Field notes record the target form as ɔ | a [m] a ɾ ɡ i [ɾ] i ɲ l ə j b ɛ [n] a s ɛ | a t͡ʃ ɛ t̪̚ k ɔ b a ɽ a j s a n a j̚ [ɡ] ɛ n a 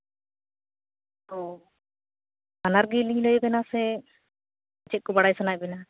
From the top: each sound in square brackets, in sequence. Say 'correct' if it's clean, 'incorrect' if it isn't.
incorrect: n, incorrect: l, correct, incorrect: b

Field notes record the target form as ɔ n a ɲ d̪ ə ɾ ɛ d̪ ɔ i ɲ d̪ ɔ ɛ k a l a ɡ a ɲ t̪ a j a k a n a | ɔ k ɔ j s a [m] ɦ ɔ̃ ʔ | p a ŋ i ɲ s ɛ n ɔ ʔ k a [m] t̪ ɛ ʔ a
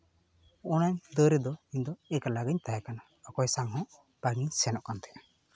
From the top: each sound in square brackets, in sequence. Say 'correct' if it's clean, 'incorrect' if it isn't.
incorrect: ŋ, incorrect: n

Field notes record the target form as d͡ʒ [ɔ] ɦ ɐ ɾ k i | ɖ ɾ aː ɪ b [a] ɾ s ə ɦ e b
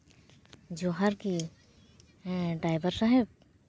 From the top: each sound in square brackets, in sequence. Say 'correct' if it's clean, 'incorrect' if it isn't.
incorrect: o, incorrect: ə

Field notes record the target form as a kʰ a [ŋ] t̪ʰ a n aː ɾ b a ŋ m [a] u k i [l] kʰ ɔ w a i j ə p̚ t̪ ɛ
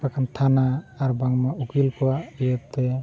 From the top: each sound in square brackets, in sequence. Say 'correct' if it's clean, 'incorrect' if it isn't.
incorrect: n, correct, correct

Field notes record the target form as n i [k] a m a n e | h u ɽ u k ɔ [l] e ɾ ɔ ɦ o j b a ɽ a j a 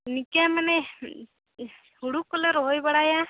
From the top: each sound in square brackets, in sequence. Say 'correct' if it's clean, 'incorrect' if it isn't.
correct, correct

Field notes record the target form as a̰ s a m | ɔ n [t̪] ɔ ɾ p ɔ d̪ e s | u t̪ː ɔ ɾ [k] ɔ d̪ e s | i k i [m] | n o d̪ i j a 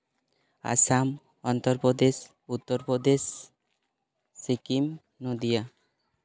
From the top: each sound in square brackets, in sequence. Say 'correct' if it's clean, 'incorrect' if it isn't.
correct, incorrect: p, correct

